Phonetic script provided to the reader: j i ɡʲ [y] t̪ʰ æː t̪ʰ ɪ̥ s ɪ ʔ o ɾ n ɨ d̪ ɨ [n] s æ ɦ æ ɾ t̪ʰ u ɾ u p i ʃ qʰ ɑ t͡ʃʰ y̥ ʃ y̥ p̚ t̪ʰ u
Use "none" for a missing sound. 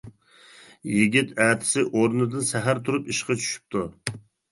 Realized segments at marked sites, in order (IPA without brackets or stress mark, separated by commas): i, n